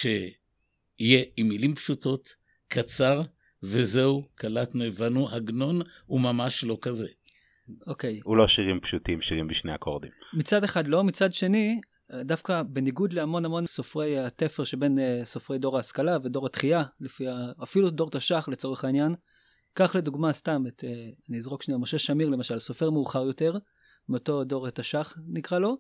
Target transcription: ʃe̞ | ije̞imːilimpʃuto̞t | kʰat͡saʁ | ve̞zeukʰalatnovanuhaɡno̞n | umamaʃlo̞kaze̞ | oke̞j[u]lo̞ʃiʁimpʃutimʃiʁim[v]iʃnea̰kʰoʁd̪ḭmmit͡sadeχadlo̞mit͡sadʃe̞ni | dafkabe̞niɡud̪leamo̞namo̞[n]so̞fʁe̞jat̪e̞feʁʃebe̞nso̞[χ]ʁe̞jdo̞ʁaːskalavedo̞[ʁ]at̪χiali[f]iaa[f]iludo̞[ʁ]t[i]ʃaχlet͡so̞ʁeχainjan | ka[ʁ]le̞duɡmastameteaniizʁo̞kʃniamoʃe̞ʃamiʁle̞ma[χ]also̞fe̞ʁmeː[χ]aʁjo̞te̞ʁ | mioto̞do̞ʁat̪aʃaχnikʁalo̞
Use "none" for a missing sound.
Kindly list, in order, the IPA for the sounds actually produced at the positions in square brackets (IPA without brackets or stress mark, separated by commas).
u, b, n, f, ʁ, f, f, ʁ, a, χ, ʃ, χ